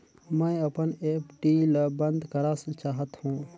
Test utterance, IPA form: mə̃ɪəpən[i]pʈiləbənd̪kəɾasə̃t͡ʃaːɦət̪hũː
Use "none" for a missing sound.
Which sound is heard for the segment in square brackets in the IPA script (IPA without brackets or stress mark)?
e